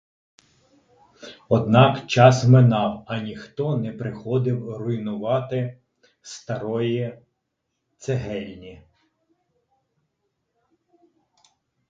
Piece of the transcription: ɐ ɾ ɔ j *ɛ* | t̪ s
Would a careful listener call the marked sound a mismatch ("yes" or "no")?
yes